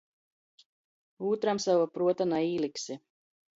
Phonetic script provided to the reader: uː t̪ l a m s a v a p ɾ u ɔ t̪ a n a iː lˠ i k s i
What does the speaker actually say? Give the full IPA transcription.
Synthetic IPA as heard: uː t̪ ɾ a m s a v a p ɾ u ɔ t̪ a n a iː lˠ i k s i